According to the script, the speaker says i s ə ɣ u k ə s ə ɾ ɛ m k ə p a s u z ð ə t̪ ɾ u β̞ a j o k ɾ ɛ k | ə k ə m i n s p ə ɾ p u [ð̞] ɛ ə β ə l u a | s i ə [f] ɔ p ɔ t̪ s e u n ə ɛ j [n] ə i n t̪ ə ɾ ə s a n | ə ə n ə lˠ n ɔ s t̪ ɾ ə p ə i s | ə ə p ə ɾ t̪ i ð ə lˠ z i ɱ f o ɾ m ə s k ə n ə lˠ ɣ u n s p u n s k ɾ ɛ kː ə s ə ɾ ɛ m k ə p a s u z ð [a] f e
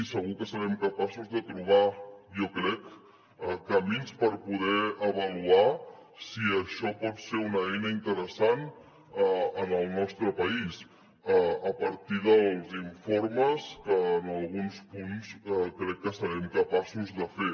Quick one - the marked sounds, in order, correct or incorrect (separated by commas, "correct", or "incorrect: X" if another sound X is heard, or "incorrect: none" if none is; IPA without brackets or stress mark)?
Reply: correct, incorrect: ʃ, correct, incorrect: ə